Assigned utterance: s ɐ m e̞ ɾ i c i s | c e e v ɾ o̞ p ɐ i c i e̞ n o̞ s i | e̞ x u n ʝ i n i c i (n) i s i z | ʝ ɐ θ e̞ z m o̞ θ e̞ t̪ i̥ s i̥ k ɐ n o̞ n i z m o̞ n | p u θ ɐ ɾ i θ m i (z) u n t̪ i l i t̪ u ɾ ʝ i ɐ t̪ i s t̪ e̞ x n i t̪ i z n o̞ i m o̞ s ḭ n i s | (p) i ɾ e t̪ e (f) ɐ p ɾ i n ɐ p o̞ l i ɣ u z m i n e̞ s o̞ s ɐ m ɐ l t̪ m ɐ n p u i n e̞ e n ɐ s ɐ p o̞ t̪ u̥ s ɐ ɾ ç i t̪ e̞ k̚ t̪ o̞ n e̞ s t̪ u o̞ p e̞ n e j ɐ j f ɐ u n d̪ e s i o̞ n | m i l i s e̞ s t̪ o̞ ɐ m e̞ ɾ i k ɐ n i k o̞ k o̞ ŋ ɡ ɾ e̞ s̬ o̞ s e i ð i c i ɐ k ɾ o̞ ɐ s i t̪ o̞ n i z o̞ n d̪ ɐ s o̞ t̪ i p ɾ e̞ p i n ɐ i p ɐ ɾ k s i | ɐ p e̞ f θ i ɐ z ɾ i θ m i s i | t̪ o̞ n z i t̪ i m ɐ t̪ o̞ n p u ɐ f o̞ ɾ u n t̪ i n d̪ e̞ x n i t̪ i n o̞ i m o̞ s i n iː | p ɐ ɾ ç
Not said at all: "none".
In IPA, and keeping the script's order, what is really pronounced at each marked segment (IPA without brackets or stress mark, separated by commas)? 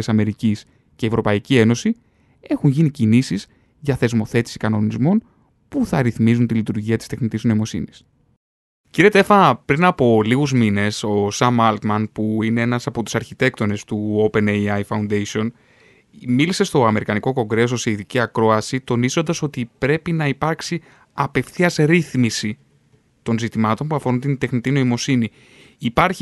n, z, c, f